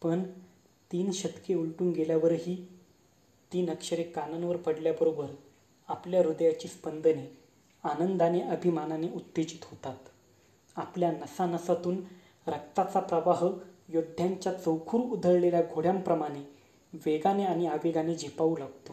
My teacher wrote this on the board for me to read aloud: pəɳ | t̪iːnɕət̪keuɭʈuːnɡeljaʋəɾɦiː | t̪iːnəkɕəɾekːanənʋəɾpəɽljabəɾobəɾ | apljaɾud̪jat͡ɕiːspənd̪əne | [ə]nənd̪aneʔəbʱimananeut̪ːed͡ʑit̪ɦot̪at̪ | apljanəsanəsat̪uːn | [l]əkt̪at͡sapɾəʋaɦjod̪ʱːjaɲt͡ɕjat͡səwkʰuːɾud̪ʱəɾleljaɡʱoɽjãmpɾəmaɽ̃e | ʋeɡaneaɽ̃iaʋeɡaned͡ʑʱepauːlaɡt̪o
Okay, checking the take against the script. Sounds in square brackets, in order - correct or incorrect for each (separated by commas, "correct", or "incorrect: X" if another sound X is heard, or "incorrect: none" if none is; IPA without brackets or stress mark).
incorrect: a, incorrect: ɾ